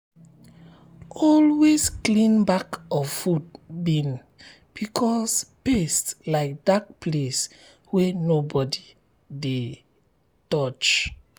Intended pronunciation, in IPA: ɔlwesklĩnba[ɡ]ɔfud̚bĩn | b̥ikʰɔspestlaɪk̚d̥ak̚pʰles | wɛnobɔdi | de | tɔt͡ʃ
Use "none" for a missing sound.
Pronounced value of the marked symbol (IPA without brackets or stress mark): k